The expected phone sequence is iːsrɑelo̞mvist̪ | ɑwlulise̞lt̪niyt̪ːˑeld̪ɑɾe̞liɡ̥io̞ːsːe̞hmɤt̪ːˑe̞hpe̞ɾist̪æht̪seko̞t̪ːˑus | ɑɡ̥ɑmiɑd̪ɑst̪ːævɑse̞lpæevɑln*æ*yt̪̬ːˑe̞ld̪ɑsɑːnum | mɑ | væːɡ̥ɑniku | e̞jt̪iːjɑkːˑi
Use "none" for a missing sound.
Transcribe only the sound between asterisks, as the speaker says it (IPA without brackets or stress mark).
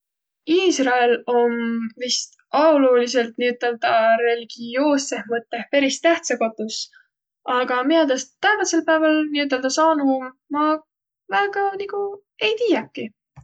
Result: i